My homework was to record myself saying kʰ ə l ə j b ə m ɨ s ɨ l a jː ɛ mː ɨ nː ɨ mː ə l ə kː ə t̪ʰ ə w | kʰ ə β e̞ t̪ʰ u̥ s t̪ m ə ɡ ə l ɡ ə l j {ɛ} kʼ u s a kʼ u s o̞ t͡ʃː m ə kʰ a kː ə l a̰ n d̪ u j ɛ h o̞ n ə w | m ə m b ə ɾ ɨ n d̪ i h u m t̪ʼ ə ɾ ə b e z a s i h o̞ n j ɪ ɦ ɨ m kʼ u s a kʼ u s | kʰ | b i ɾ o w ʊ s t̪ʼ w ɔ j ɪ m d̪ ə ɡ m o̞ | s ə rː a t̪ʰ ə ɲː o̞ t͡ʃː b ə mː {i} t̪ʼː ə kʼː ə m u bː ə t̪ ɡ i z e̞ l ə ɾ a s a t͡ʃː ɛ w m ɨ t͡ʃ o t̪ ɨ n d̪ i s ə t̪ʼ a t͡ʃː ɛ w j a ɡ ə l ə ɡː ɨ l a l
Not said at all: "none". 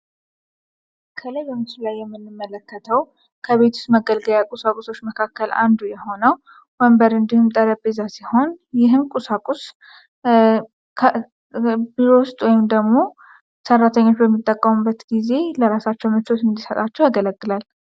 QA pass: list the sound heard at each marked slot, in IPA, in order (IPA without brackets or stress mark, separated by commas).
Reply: a, i